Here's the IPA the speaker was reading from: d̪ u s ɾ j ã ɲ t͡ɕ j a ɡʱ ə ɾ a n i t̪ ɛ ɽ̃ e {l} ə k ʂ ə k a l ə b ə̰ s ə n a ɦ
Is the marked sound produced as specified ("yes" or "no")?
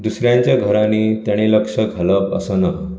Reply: yes